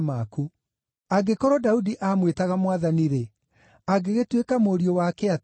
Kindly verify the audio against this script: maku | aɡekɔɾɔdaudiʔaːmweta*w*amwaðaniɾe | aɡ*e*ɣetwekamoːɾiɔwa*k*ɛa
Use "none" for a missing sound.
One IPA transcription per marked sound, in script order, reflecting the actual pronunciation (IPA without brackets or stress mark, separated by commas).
ɣ, e, k